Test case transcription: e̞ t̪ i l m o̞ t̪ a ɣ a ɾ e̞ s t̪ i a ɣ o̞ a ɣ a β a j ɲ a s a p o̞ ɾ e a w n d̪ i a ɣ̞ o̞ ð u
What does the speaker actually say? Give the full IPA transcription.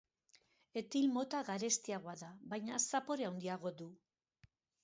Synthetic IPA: e̞ t̪ i l m o̞ t̪ a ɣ a ɾ e̞ s t̪ i a ɣ o̞ a ð a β a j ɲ a s a p o̞ ɾ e a w n d̪ i a ɣ̞ o̞ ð u

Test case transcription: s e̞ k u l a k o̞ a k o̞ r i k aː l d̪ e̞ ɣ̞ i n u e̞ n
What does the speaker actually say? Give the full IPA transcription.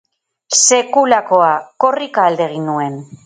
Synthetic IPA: s e̞ k u l a k o̞ a k o̞ r i k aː l d̪ e̞ ɣ̞ i n u e̞ n

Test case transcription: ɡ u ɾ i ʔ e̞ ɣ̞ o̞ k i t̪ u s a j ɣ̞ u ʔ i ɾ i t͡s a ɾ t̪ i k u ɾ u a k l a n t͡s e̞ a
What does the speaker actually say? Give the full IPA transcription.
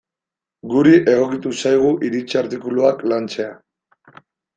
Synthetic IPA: ɡ u ɾ i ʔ e̞ ɣ̞ o̞ k i t̪ u s a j ɣ̞ u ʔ i ɾ i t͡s a ɾ t̪ i k u l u a k l a n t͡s e̞ a

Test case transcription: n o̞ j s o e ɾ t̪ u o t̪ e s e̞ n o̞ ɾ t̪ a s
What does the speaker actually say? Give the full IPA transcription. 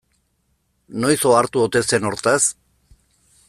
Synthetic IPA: n o̞ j s o a ɾ t̪ u o t̪ e s e̞ n o̞ ɾ t̪ a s

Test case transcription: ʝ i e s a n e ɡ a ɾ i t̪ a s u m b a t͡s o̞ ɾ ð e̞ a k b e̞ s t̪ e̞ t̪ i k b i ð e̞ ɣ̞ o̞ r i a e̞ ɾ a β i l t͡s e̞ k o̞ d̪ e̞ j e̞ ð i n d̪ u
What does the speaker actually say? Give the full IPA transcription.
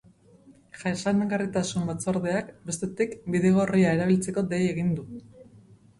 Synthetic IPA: ʝ a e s a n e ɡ a r i t̪ a s u m b a t͡s o̞ ɾ ð e̞ a k b e̞ s t̪ e̞ t̪ i k b i ð e̞ ɣ̞ o̞ r i a e̞ ɾ a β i l t͡s e̞ k o̞ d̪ e̞ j e̞ ɣ i n d̪ u

